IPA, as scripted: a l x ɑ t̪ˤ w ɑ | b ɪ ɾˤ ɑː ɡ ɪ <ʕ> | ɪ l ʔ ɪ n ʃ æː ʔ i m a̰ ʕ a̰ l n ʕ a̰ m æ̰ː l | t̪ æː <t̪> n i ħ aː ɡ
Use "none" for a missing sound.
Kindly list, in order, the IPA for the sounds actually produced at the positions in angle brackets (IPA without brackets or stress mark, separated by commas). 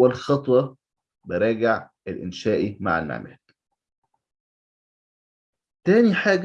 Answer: ʕ, none